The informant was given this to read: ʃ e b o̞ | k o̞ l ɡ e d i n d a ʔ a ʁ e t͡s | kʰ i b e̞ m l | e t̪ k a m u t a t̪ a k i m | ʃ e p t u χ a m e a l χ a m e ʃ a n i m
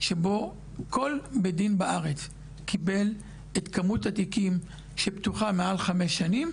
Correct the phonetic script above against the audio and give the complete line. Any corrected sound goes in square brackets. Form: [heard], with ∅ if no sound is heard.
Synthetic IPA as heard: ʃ e b o̞ | k o̞ l [b] e d i n [b] a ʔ a ʁ e t͡s | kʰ i b e̞ [∅] l | e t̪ k a m u t a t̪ [i] k i m | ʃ e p t u χ a m e a l χ a m e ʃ a n i m